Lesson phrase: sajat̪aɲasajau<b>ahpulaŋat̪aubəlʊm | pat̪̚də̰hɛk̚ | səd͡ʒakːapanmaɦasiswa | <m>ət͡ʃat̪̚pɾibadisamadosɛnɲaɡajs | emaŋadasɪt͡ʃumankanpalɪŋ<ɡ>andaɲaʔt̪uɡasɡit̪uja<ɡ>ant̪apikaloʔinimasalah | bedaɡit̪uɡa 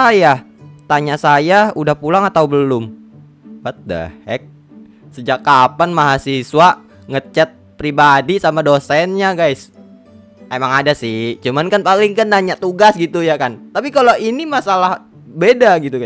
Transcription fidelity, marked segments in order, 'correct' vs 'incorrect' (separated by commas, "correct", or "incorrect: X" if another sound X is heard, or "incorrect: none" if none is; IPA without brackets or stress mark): incorrect: d, incorrect: ŋ, incorrect: k, incorrect: k